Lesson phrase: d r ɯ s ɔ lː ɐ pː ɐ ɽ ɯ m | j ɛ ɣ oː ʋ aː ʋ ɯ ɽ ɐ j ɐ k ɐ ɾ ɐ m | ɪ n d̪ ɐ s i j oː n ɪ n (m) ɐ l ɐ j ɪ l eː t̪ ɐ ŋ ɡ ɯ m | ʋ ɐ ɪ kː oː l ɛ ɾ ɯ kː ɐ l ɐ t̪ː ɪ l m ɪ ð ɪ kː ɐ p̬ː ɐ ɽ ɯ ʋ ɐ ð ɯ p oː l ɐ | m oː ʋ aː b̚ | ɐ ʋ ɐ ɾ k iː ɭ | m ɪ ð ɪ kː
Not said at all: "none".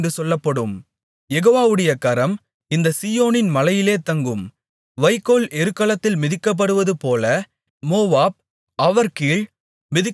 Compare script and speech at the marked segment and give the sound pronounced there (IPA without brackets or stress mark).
m